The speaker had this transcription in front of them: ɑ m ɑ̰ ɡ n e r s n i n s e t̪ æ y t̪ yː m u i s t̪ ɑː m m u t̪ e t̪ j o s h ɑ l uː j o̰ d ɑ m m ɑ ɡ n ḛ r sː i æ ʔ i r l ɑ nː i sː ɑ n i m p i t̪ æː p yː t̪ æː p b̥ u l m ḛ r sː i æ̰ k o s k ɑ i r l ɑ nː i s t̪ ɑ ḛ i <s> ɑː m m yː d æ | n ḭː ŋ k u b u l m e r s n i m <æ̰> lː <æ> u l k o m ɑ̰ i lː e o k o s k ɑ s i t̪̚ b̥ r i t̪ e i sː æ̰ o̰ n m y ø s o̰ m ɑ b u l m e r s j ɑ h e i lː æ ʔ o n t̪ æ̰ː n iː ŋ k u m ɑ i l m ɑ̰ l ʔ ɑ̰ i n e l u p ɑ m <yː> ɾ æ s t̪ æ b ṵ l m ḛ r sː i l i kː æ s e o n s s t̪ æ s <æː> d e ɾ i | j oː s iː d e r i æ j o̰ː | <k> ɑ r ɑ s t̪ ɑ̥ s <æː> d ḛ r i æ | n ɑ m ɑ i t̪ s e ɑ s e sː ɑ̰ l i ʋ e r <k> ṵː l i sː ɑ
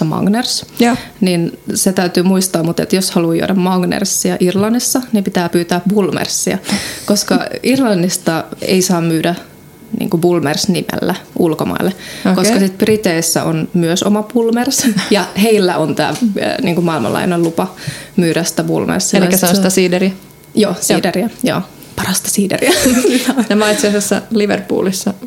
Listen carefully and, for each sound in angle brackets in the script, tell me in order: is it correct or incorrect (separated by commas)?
correct, incorrect, correct, correct, incorrect, incorrect, incorrect, incorrect